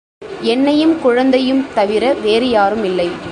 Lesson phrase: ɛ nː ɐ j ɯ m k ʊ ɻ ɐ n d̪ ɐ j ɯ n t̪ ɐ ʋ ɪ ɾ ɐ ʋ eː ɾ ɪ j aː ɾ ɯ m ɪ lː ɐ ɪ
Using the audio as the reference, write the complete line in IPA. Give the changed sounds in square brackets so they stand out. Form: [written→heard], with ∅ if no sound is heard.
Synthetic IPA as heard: ɛ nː ɐ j ɯ m k ʊ ɻ ɐ n d̪ ɐ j ɯ [n→m] t̪ ɐ ʋ ɪ ɾ ɐ ʋ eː ɾ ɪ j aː ɾ ɯ m ɪ lː ɐ ɪ